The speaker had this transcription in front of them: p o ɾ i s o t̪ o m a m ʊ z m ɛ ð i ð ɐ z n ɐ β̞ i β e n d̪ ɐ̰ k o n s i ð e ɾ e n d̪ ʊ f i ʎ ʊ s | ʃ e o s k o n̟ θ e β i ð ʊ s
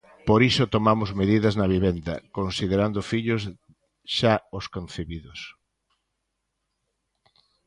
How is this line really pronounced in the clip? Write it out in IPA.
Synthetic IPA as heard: p o ɾ i s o t̪ o m a m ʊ z m e ð i ð ɐ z n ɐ β̞ i β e n d̪ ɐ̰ k o n s i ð e ɾ a n d̪ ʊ f i ʎ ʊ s | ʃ a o s k o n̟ θ e β i ð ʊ s